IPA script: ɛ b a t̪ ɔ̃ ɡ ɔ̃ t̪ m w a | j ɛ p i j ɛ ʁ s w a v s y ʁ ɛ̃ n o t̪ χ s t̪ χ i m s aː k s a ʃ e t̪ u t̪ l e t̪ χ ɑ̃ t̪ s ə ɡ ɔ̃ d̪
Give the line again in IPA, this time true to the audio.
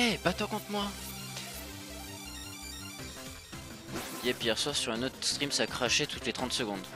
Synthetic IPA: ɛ b a t̪ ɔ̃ k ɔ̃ t̪ m w a | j ɛ p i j ɛ ʁ s w a ʁ s y ʁ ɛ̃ n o t̪ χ s t̪ χ i m s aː k χ a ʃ e t̪ u t̪ l e t̪ χ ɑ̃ t̪ s ə ɡ ɔ̃ d̪

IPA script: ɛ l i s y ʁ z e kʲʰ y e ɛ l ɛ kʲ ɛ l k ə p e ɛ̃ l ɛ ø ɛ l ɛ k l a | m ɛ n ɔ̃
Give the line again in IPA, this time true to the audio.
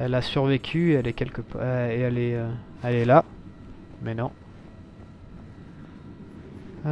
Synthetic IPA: ɛ l a s y ʁ v e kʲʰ y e ɛ l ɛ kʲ ɛ l k ə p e ɛ l ɛ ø ɛ l ɛ l a | m ɛ n ɔ̃

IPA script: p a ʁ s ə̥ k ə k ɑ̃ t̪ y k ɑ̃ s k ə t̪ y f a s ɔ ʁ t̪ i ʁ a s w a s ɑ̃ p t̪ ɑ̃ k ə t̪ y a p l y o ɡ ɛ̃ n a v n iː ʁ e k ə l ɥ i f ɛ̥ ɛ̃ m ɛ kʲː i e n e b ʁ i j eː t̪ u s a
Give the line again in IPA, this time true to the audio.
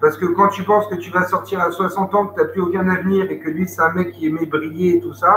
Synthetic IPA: p a ʁ s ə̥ k ə k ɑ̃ t̪ y p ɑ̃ s k ə t̪ y v a s ɔ ʁ t̪ i ʁ a s w a s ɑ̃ t̪ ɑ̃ k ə t̪ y a p l y o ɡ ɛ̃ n a v n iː ʁ e k ə l ɥ i s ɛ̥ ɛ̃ m ɛ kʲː i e m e b ʁ i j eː t̪ u s a

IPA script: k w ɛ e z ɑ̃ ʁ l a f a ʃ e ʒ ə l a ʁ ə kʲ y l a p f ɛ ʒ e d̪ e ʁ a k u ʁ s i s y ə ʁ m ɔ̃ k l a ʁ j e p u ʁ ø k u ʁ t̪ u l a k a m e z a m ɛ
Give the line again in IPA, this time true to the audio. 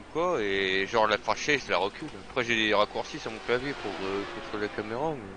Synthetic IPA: k w a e ʒ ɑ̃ ʁ l a f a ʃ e ʒ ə l a ʁ ə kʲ y l a p χ ɛ ʒ e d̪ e ʁ a k u ʁ s i s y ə ʁ m ɔ̃ k l a v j e p u ʁ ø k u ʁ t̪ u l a k a m e ʁ a m ɛ

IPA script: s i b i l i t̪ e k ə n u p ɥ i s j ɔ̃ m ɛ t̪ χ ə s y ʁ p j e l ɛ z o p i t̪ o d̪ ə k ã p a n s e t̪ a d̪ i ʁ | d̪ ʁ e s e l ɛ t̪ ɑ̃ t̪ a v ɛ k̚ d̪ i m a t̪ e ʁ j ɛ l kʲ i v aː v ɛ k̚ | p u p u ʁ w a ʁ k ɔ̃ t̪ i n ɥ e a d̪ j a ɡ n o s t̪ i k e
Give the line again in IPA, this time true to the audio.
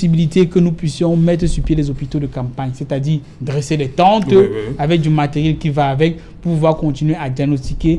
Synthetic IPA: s i b i l i t̪ e k ə n u p ɥ i s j ɔ̃ m ɛ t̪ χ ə s y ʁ p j e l ɛ z o p i t̪ o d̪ ə k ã p a ɲ s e t̪ a d̪ i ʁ | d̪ ʁ e s e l ɛ t̪ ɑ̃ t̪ a v ɛ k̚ d̪ y m a t̪ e ʁ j ɛ l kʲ i v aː v ɛ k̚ | p u p u v w a ʁ k ɔ̃ t̪ i n ɥ e a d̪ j a ɡ n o s t̪ i k e

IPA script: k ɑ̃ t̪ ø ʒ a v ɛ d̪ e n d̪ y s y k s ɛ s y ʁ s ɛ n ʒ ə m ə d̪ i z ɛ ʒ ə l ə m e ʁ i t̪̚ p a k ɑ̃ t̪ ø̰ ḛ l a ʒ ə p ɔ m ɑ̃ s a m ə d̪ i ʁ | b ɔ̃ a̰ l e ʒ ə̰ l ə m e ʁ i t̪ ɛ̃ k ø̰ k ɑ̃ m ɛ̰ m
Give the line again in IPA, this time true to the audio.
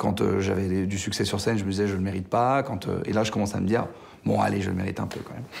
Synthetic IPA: k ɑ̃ t̪ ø ʒ a v ɛ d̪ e d̪ y s y k s ɛ s y ʁ s ɛ n ʒ ə m ə d̪ i z ɛ ʒ ə l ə m e ʁ i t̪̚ p a k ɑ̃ t̪ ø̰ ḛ l a ʒ ə k ɔ m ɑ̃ s a m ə d̪ i ʁ | b ɔ̃ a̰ l e ʒ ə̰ l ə m e ʁ i t̪ ɛ̃ p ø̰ k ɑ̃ m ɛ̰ m

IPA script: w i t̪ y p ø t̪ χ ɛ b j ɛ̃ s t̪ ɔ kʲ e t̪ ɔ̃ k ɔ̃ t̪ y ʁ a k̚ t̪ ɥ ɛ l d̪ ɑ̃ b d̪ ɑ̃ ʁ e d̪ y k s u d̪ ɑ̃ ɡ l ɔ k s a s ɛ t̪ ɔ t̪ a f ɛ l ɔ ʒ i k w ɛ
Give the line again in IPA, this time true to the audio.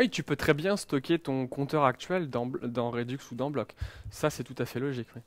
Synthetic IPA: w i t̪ y p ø t̪ χ ɛ b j ɛ̃ s t̪ ɔ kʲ e t̪ ɔ̃ k ɔ̃ t̪ œ ʁ a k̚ t̪ ɥ ɛ l d̪ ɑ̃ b d̪ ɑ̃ ʁ e d̪ y k s u d̪ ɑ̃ b l ɔ k s a s ɛ t̪ u t̪ a f ɛ l ɔ ʒ i k w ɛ

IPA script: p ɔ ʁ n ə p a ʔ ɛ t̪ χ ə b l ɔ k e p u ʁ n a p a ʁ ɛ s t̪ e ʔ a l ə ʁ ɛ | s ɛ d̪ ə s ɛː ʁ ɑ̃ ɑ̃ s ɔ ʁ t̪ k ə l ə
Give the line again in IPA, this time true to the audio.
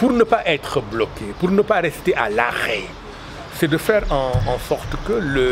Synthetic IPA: p u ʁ n ə p a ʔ ɛ t̪ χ ə b l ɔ k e p u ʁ n ə p a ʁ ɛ s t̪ e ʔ a l a ʁ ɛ | s ɛ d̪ ə f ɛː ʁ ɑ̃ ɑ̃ s ɔ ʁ t̪ k ə l ə

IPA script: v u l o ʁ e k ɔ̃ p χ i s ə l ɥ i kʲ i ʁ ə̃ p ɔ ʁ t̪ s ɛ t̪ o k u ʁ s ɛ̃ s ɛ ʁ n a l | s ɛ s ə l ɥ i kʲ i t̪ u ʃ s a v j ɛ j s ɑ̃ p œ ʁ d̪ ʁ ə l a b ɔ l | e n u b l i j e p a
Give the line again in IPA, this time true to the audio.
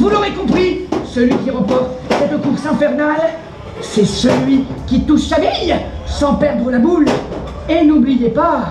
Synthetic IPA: v u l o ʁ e k ɔ̃ p χ i s ə l ɥ i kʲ i ʁ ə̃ p ɔ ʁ t̪ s ɛ t̪ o k u ʁ s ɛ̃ f ɛ ʁ n a l | s ɛ s ə l ɥ i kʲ i t̪ u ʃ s a v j ɛ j s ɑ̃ p ɛ ʁ d̪ ʁ ə l a b u l | e n u b l i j e p a

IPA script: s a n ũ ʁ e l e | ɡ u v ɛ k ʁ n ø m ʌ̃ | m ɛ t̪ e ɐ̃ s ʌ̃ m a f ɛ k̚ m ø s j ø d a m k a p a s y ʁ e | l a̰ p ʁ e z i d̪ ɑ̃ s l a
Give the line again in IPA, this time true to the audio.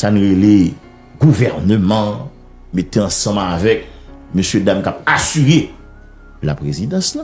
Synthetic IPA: s a n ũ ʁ e l e | ɡ u v ɛ ʁ n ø m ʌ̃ | m e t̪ e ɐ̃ s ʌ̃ m a v ɛ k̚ m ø s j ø d a m k a p a s y ʁ e | l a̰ p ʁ e z i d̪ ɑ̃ s l a

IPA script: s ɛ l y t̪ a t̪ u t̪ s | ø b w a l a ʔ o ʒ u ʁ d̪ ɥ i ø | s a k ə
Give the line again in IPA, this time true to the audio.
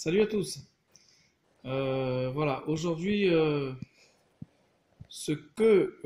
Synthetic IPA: s a l y a t̪ u s | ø v w a l a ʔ o ʒ u ʁ d̪ ɥ i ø | s ə k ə

